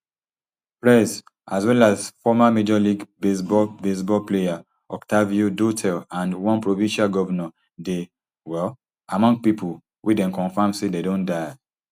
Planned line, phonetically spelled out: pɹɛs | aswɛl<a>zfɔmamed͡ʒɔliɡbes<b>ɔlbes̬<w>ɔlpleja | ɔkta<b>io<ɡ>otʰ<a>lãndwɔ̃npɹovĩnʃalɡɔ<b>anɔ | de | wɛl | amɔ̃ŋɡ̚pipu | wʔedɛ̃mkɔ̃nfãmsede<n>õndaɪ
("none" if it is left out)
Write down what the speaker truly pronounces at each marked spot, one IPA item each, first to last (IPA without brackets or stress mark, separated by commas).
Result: a, b, b, v, d, ɛ, v, d